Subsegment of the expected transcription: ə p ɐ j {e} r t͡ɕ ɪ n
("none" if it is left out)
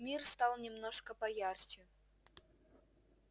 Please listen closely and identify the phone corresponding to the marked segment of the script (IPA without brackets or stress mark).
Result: a